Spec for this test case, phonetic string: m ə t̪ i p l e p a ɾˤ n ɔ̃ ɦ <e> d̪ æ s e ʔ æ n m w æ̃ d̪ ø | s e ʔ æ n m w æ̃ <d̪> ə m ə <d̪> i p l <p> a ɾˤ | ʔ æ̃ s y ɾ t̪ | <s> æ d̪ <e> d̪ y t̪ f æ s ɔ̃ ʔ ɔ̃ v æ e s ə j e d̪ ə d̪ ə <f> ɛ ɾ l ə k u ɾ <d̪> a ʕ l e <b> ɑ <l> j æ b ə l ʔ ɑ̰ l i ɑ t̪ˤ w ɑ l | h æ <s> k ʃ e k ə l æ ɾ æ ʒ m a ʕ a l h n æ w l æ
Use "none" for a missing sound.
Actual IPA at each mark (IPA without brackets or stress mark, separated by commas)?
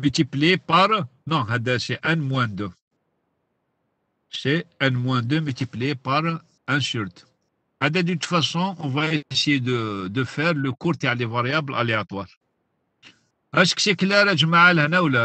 æ, d̪, t̪, p, h, æ, f, t̪, v, ɾ, ʃ